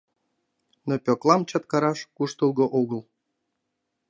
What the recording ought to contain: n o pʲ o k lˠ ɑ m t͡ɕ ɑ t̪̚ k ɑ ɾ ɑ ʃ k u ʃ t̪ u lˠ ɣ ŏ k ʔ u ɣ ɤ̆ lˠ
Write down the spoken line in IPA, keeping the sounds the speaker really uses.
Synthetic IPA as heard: n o pʲ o k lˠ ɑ m t͡ɕ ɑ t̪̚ k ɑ ɾ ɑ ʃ k u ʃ t̪ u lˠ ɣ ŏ ʔ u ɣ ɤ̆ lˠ